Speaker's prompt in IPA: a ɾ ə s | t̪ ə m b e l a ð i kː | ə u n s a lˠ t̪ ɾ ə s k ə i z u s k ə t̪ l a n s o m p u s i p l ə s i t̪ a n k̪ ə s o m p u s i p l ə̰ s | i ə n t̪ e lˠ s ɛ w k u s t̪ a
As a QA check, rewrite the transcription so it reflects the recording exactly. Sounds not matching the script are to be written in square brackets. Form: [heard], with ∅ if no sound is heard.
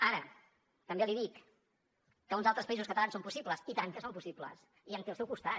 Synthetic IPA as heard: a ɾ ə [∅] | t̪ ə m b e l [i] ð i kː | ə u n [z] a lˠ t̪ ɾ ə s [p] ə i z u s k ə t̪ l a n s o m p u s i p l ə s i t̪ a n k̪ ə s o m p u s i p l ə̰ s | i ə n t̪ e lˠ s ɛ w k u s t̪ a